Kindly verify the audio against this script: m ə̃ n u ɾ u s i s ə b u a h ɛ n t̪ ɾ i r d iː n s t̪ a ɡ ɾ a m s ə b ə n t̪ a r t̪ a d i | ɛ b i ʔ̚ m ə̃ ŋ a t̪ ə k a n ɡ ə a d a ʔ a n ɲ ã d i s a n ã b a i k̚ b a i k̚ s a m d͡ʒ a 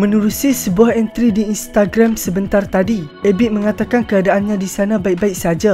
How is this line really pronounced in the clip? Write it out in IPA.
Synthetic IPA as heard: m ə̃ n u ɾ u s i s ə b u a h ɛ n t̪ ɾ i d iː n s t̪ a ɡ ɾ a m s ə b ə n t̪ a r t̪ a d i | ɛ b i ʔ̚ m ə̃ ŋ a t̪ a k a n k ə a d a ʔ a n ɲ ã d i s a n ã b a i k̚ b a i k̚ s a d͡ʒ a